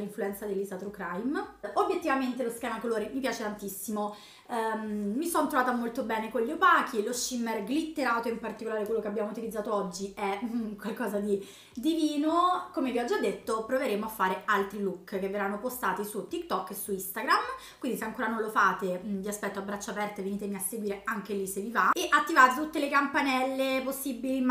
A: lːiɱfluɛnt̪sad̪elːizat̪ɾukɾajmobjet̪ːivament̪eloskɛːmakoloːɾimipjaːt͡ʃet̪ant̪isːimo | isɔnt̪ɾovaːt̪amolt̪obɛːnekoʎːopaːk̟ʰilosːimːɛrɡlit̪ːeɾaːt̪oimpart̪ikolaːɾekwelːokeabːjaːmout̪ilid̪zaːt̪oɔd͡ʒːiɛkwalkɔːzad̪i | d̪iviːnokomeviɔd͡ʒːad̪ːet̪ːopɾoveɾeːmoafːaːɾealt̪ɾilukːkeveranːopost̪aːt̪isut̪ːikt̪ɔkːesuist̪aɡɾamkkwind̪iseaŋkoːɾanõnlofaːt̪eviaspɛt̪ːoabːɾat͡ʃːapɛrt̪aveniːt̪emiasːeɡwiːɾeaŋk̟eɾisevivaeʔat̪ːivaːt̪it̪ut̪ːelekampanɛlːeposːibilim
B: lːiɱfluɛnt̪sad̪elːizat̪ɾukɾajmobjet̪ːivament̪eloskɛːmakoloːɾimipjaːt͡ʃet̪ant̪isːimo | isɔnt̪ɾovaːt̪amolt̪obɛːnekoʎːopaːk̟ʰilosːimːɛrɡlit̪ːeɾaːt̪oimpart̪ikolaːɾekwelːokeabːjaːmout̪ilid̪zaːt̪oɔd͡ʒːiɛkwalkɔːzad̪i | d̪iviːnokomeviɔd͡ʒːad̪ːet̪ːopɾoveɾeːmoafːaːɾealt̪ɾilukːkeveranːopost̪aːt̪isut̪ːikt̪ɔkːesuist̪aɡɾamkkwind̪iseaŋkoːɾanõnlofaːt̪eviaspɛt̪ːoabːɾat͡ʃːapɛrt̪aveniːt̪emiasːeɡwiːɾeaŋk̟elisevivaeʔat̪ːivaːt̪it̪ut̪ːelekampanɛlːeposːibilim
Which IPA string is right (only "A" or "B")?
B